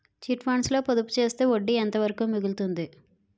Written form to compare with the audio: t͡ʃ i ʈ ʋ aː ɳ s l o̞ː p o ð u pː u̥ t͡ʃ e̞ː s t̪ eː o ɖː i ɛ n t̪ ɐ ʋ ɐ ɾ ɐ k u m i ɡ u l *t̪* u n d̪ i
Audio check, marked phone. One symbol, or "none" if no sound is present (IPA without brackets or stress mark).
t̪